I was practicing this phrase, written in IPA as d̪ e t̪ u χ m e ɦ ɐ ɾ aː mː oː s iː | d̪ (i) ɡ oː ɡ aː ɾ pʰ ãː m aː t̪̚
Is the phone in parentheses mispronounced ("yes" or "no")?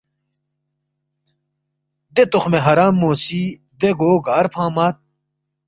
yes